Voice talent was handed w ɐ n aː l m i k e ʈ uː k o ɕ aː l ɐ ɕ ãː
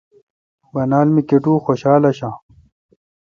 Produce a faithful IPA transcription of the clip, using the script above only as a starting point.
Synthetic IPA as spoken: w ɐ n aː l m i k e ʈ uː x o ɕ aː l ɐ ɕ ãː